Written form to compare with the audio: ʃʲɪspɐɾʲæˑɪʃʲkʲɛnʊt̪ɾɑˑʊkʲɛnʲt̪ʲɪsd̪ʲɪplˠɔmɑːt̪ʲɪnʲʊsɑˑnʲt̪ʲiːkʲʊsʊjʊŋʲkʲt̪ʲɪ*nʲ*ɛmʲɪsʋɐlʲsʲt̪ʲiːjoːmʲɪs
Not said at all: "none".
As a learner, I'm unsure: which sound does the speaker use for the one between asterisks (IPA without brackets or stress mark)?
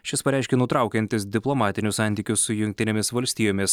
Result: nʲ